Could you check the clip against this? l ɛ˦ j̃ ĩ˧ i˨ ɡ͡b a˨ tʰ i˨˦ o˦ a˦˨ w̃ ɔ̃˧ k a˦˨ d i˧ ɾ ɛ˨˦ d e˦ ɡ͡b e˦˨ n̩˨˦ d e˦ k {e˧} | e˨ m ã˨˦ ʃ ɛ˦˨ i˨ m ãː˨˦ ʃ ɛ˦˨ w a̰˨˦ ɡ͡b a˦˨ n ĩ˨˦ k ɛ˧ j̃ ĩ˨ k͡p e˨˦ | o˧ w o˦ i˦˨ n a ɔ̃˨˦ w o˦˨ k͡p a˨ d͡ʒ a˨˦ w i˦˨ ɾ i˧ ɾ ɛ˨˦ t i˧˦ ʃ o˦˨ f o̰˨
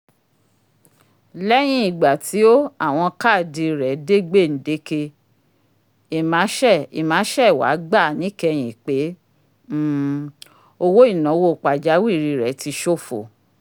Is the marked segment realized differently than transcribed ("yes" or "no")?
no